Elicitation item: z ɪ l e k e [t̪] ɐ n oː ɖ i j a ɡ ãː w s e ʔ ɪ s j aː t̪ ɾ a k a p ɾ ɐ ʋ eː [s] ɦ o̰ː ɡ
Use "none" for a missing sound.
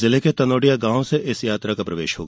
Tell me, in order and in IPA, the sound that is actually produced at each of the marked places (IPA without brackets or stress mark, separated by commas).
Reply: t̪, ʃ